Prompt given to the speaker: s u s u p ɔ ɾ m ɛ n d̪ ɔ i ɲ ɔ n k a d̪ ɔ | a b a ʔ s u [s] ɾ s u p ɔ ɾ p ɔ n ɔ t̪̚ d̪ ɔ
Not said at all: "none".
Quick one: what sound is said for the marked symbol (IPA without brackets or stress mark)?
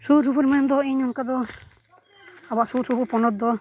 none